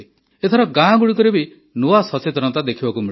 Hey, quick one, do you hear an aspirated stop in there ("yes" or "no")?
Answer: yes